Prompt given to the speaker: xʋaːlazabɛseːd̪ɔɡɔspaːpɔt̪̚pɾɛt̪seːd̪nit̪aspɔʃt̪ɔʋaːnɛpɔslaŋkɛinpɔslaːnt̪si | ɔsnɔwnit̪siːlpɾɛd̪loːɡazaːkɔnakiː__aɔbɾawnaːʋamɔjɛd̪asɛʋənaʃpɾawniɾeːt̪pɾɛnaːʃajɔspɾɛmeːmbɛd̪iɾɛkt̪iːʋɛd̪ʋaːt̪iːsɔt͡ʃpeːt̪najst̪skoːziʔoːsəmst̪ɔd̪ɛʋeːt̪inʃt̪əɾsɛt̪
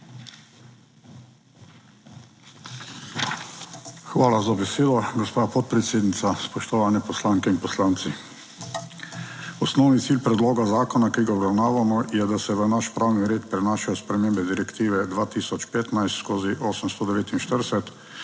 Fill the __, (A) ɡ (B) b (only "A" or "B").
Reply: A